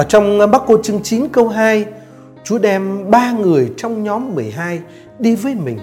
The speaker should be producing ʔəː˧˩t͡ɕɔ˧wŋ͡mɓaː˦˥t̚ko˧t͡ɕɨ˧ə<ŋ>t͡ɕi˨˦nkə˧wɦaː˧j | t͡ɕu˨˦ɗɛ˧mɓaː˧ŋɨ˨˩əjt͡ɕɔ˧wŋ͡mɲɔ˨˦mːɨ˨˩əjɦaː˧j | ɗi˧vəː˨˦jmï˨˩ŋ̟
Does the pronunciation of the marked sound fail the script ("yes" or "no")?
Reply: no